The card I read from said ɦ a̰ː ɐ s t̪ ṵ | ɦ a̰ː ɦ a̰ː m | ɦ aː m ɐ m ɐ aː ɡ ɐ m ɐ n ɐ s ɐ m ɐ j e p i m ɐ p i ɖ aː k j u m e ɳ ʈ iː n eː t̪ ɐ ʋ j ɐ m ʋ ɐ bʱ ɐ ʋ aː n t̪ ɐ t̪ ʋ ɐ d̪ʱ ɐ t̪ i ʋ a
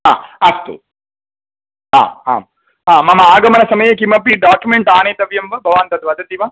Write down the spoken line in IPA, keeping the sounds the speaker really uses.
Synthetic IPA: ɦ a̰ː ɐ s t̪ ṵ | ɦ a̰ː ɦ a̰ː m | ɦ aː m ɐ m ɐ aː ɡ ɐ m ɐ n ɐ s ɐ m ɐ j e k i m ɐ p i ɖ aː k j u m e ɳ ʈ aː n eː t̪ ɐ ʋ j ɐ m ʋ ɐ bʱ ɐ ʋ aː n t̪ ɐ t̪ ʋ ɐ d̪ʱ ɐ t̪ i ʋ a